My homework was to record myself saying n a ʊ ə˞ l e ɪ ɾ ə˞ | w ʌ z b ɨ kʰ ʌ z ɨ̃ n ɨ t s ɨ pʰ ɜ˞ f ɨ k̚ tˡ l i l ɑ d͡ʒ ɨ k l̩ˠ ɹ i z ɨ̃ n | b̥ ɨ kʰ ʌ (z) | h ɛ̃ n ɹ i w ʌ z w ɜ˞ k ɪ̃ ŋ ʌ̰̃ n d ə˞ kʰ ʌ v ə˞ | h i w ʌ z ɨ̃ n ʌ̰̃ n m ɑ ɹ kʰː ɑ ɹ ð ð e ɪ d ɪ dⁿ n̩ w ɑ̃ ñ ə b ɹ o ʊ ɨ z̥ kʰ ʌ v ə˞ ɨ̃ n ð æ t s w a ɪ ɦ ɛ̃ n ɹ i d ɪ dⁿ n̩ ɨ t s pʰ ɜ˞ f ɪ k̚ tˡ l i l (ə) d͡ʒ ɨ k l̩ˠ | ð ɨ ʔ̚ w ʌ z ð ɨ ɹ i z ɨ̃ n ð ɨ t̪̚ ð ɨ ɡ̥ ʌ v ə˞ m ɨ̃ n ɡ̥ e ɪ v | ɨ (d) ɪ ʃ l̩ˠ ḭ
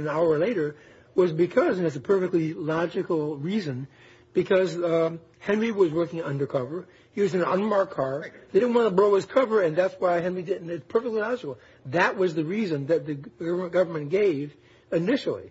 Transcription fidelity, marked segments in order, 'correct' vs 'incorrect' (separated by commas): correct, incorrect, incorrect